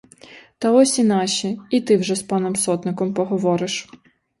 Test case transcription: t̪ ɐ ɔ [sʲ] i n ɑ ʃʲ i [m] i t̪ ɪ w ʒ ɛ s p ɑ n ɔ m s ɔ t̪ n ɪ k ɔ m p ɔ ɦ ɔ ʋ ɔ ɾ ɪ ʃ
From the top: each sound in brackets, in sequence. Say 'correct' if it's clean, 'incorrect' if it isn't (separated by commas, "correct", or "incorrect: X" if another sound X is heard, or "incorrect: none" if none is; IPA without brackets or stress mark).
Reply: correct, incorrect: none